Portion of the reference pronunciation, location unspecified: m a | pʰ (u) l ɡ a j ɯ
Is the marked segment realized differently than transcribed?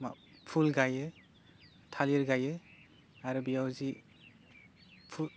no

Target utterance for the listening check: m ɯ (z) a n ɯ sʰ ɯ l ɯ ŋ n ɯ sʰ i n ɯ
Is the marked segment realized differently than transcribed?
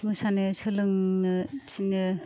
yes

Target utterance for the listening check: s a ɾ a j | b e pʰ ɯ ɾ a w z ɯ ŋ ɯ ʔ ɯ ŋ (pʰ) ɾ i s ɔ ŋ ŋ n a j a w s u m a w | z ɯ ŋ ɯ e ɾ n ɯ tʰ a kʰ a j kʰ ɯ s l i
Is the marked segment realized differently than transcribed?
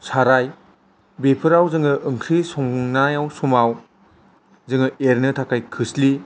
yes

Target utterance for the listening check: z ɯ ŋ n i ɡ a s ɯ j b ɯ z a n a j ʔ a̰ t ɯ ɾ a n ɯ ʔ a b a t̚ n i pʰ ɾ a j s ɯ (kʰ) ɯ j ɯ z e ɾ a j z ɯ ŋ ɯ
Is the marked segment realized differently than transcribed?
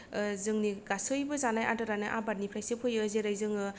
yes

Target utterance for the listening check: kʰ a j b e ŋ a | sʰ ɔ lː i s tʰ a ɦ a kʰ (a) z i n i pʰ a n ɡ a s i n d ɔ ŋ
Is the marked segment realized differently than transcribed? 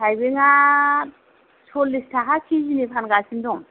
yes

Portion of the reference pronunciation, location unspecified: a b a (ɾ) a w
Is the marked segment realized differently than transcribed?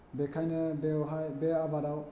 no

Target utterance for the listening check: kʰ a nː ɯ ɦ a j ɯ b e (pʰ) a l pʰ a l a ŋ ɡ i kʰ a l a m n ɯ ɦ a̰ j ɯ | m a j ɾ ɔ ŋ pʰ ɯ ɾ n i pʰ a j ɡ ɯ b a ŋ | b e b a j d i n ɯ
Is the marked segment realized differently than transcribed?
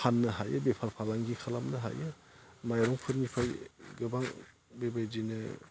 no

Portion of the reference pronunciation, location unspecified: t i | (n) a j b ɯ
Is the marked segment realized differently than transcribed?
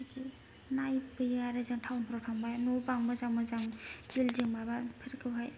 no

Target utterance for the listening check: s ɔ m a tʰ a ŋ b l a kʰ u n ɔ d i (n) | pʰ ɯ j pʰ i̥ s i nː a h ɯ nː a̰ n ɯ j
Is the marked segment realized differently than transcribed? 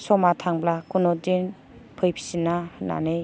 no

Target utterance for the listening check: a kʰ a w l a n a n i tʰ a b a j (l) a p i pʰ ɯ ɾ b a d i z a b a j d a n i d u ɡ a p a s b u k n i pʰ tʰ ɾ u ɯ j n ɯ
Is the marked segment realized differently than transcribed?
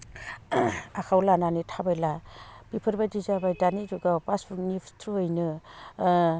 no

